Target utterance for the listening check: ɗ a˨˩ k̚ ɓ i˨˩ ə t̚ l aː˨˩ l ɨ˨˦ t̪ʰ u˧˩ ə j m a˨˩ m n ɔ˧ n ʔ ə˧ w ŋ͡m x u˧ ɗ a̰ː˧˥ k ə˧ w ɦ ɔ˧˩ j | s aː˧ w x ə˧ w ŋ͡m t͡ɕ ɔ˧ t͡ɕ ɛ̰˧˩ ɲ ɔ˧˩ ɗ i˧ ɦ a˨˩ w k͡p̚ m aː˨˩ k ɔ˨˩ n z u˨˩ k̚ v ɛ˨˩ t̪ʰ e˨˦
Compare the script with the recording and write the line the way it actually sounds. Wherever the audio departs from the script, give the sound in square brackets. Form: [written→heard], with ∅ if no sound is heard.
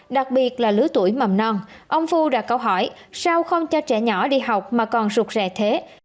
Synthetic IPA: ɗ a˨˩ k̚ ɓ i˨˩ ə t̚ l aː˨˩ l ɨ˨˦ [t̪ʰ→t̪] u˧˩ ə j m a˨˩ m n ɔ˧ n ʔ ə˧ w ŋ͡m [x→f] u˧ ɗ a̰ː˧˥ k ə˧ w ɦ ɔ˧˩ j | s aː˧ w x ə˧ w ŋ͡m t͡ɕ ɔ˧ t͡ɕ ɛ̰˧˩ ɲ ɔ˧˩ ɗ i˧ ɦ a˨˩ w k͡p̚ m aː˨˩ k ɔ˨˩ n z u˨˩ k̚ [v→z] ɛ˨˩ t̪ʰ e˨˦